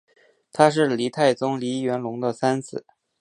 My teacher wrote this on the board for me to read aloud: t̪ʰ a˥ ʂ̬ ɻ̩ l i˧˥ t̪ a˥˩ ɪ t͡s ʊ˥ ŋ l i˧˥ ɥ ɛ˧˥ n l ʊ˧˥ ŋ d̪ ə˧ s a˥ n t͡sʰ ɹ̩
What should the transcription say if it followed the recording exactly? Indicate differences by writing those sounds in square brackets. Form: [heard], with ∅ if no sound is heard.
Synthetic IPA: t̪ʰ a˥ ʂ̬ ɻ̩ l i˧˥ [t̪ʰ] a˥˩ ɪ t͡s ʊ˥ ŋ l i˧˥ ɥ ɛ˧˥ n l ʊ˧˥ ŋ d̪ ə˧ s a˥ n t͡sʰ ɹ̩